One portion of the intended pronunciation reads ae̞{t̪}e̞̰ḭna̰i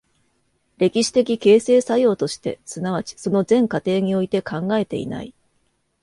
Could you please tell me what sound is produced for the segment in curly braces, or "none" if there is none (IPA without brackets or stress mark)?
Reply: t̪